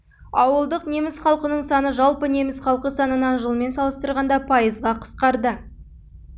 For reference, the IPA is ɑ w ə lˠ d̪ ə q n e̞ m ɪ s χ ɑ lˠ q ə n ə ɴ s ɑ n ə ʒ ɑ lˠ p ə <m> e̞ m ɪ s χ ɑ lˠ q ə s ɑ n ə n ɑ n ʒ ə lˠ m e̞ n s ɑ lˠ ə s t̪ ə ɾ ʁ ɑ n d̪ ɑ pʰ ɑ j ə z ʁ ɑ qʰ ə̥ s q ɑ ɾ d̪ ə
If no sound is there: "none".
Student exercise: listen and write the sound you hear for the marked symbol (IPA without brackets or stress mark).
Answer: n